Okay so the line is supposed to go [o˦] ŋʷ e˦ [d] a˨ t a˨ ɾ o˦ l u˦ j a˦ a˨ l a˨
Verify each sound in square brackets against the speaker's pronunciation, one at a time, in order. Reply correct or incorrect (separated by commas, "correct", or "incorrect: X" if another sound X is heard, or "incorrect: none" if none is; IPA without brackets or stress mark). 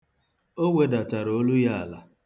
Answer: correct, correct